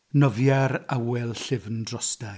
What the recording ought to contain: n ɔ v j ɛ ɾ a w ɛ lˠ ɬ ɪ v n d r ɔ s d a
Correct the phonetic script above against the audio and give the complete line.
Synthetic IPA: n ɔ v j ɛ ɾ a w ɛ lˠ ɬ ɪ v n d r ɔ s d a